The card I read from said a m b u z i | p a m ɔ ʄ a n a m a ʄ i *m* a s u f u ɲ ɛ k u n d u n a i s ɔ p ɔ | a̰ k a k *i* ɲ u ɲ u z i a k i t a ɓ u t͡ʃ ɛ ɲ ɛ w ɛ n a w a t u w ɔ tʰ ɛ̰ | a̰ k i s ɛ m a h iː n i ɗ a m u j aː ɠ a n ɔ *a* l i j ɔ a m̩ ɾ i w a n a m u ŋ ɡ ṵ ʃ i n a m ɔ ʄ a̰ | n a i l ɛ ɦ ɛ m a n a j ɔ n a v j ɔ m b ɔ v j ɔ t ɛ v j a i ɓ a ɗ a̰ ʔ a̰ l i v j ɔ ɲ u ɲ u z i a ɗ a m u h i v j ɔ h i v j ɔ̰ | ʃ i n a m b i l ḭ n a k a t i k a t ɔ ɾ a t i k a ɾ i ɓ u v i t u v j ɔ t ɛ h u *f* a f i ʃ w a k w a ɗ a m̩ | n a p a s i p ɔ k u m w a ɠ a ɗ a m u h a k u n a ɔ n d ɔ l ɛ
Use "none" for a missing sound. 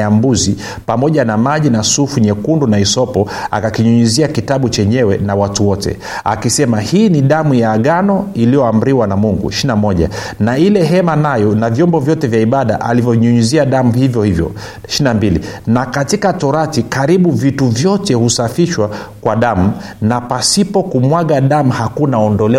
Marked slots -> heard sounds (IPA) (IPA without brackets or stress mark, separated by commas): n, i, i, s